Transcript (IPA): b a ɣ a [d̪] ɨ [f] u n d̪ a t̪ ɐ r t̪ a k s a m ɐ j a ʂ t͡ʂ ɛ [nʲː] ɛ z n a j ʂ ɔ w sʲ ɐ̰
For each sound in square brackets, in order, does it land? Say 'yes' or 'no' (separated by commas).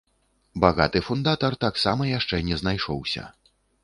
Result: no, yes, no